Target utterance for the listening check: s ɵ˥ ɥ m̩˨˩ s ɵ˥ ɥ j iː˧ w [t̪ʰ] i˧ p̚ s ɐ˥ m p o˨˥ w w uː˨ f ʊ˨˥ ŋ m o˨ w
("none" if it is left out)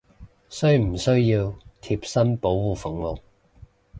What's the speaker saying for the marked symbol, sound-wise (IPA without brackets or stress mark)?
t̪ʰ